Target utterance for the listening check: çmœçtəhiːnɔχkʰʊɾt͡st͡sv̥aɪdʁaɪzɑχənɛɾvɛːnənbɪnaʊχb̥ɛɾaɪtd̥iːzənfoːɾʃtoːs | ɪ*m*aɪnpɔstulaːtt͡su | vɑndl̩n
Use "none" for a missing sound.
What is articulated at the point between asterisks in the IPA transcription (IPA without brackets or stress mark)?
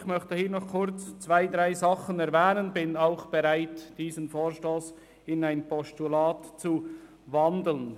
n